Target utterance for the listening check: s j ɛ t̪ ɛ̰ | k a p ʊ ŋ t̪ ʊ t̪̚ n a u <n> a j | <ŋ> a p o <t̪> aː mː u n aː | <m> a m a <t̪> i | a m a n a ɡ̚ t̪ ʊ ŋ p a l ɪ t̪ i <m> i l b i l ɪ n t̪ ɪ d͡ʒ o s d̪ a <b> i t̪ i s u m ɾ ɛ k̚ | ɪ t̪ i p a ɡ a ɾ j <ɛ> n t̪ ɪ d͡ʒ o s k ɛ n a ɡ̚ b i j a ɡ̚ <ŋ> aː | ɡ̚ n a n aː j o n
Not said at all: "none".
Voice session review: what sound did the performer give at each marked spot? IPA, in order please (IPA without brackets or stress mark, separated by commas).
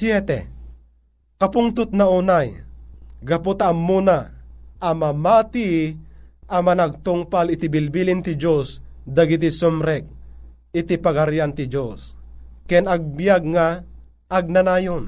n, ɡ, t̪, m, t̪, b, ɡ, a, ŋ